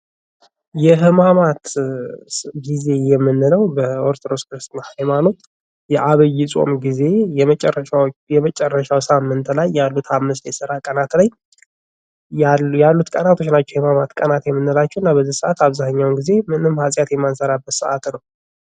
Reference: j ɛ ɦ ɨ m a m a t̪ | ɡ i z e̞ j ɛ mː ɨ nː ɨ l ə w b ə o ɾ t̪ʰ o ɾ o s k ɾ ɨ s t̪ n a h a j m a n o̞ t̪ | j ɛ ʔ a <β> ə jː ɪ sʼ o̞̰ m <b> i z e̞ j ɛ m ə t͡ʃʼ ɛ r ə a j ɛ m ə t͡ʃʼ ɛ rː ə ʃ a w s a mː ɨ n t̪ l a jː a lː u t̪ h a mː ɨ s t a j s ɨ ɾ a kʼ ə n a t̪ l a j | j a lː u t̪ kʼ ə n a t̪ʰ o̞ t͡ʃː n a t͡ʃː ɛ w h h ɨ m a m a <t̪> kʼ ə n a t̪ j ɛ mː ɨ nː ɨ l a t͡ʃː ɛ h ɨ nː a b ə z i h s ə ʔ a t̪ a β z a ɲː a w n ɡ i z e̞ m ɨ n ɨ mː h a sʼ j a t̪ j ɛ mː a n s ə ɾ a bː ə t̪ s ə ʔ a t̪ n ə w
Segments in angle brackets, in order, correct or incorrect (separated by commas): correct, incorrect, correct